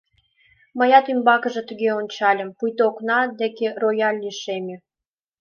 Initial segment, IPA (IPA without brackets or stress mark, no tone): m